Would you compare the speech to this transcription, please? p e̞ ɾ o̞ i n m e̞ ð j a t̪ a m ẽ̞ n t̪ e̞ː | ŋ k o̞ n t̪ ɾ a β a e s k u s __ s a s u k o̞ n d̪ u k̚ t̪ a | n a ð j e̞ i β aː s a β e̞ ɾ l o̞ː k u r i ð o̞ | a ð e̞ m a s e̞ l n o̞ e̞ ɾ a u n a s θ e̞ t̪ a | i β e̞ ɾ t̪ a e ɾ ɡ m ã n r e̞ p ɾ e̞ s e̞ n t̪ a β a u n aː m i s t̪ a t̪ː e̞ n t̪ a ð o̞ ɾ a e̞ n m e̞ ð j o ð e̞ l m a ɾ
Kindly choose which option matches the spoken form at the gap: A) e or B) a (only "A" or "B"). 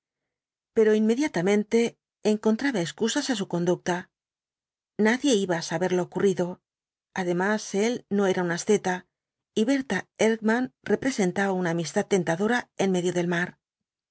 B